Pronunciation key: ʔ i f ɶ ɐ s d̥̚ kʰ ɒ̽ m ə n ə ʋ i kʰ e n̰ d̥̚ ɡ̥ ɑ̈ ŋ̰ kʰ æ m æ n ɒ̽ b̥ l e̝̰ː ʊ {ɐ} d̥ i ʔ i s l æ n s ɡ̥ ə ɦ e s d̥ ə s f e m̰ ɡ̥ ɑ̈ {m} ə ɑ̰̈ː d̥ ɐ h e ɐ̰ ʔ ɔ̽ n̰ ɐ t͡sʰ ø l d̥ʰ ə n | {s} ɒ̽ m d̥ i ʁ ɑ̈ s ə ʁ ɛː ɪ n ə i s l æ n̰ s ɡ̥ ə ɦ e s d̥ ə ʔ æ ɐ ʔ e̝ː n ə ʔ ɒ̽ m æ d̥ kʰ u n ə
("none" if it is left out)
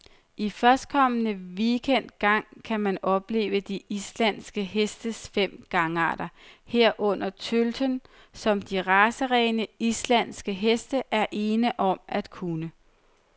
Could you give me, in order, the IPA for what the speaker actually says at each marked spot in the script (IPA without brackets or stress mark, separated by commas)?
ə, ŋ, s